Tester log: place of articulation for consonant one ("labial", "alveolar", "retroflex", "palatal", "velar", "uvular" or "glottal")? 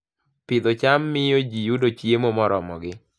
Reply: labial